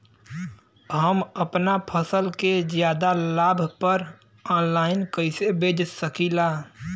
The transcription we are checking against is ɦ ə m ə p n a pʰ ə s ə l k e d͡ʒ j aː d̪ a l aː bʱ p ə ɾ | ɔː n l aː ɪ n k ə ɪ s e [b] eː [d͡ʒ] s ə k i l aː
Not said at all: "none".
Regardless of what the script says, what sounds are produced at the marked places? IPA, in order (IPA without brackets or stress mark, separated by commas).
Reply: b, d͡ʒ